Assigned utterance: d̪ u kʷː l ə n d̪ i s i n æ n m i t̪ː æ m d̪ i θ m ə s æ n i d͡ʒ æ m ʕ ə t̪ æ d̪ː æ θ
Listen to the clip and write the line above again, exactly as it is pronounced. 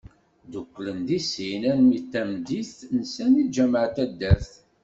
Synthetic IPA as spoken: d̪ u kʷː l ə n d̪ i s i n æ n m i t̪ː æ m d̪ i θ n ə s æ n i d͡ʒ æ m ʕ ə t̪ æ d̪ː æ θ